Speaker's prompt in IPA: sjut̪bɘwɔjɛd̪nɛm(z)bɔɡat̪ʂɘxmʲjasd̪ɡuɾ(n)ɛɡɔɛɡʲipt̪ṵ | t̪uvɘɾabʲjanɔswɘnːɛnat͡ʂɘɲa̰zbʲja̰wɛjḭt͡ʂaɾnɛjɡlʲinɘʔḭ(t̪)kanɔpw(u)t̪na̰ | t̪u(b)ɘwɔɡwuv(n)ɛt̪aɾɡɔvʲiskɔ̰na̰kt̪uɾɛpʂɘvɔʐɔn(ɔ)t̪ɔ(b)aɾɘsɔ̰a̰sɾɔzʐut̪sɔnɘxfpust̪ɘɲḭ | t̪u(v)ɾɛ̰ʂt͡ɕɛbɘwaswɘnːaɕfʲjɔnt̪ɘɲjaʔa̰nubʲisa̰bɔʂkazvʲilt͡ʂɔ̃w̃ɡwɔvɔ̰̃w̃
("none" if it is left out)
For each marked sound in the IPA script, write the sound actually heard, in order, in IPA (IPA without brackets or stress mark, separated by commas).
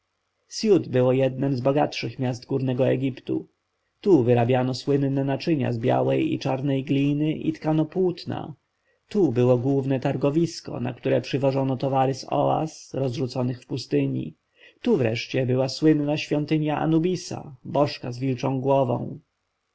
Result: z, n, t̪, u, b, n, ɔ, v, v